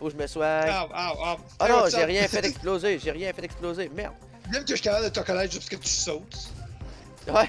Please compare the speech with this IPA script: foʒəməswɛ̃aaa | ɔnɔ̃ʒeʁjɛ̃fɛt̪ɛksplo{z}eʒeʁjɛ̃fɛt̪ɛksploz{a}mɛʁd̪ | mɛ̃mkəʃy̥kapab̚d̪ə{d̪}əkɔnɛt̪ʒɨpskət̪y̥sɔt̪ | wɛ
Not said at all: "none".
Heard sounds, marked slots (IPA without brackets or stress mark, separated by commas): z, e, t̪